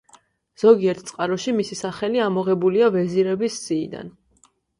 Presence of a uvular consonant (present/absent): present